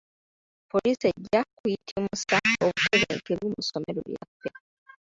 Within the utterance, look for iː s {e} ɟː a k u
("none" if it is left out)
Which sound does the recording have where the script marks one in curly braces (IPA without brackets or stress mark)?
e